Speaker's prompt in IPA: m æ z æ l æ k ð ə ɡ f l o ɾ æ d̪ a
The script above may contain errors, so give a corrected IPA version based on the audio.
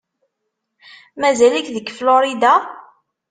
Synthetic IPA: m æ z æ l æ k ð ə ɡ f l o ɾ i d̪ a